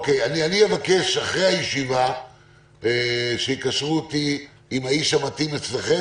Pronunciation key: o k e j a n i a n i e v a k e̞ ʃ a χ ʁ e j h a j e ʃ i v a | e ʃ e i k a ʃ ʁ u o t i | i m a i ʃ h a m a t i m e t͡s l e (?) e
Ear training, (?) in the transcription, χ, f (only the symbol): χ